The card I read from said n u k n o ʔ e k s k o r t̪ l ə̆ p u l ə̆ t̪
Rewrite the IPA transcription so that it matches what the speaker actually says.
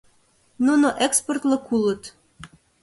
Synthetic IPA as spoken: n u n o ʔ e k s p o r t̪ l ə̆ k u l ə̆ t̪